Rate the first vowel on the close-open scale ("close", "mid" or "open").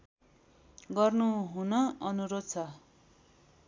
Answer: mid